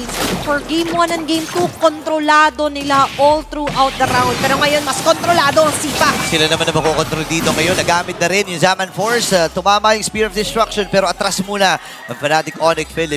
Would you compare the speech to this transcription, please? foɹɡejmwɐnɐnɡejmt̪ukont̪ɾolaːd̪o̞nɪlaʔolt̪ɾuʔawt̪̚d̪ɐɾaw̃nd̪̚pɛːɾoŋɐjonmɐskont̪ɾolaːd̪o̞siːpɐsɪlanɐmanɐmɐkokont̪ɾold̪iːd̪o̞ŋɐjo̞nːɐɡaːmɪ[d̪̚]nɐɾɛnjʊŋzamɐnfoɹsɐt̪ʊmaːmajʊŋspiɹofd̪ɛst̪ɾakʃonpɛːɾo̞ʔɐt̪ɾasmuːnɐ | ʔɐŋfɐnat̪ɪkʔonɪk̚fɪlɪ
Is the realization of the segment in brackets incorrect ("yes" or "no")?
yes